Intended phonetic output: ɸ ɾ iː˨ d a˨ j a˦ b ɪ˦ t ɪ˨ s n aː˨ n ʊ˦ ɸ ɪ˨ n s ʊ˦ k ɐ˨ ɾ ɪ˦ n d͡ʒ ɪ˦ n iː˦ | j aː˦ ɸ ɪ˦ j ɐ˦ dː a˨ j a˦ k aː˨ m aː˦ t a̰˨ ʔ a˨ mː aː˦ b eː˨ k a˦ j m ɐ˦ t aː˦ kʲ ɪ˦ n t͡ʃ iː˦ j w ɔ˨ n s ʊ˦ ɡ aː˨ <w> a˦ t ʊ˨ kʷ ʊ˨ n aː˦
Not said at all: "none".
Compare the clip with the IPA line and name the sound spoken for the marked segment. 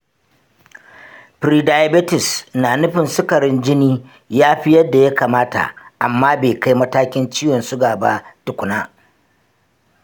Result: b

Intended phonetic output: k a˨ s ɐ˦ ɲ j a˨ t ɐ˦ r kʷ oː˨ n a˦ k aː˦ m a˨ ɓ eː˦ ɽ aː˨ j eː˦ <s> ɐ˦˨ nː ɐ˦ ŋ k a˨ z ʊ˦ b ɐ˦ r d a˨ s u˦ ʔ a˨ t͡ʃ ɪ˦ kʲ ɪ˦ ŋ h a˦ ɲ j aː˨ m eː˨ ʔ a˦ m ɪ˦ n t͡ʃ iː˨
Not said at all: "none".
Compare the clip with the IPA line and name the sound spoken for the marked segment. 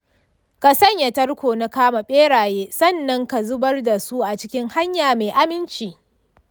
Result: s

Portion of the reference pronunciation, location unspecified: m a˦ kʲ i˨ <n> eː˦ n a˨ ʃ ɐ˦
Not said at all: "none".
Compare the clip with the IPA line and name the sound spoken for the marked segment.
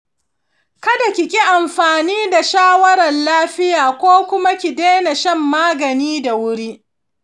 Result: d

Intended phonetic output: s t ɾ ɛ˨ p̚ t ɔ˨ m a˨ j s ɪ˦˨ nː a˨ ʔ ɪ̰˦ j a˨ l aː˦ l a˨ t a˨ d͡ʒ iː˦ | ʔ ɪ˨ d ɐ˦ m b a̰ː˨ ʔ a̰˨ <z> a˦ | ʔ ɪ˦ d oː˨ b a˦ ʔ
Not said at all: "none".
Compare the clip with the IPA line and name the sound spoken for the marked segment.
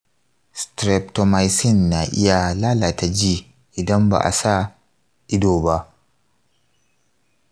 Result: s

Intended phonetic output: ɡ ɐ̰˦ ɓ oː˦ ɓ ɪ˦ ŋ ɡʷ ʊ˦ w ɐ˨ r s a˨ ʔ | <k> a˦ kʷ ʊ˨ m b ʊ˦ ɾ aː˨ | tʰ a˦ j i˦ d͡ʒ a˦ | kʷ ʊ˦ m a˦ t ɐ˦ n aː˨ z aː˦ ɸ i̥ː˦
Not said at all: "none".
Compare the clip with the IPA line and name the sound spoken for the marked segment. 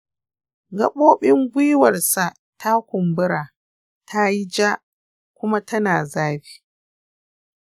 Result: t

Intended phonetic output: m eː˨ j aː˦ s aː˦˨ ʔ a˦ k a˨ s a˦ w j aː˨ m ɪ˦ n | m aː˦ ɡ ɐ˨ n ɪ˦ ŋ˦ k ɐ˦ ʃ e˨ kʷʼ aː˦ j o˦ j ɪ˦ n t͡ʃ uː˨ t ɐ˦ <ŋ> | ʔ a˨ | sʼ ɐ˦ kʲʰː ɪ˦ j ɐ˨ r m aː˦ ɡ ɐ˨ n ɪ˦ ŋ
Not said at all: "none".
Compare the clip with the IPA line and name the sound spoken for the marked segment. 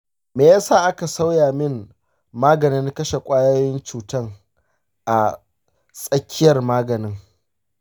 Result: ŋ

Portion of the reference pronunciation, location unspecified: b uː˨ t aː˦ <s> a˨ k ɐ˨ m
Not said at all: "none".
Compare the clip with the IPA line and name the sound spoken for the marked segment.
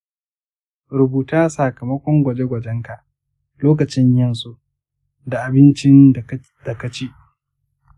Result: s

